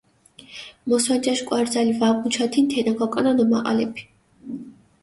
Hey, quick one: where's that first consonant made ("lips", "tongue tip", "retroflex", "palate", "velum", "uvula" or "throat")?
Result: lips